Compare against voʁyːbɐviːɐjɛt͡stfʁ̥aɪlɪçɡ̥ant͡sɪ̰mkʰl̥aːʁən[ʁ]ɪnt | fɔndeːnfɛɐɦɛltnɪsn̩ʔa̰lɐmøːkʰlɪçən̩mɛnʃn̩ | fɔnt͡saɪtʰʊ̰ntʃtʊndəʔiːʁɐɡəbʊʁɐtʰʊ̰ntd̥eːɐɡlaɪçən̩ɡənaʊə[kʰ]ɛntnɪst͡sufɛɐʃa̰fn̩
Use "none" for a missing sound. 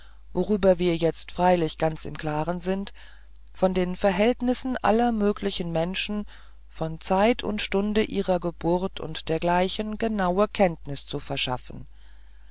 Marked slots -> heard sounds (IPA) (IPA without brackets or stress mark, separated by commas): z, kʰ